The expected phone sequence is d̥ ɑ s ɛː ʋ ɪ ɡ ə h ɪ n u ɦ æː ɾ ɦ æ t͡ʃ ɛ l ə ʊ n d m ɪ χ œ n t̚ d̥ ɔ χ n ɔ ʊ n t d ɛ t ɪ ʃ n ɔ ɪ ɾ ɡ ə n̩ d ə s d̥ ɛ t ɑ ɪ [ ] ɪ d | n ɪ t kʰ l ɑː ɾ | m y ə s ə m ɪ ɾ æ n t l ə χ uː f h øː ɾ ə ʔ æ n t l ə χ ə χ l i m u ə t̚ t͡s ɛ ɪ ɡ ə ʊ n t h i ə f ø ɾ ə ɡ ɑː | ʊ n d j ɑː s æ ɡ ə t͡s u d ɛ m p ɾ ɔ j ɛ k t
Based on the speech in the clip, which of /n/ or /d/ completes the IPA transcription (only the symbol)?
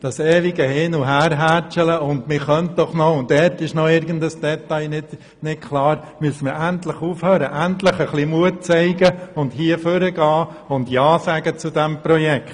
n